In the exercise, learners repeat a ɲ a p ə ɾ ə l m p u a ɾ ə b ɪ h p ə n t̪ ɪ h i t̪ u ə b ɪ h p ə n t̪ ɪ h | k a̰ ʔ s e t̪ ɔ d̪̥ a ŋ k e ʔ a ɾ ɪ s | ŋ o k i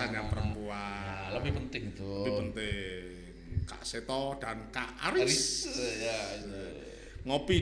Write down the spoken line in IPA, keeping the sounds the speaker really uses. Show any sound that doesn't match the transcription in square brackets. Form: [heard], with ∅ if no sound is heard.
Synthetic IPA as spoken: a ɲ a p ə ɾ ə [∅] m p u a [l] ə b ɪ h p ə n t̪ ɪ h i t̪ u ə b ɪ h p ə n t̪ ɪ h | k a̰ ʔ s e t̪ ɔ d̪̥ a [n] k [a] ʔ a ɾ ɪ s | ŋ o [p] i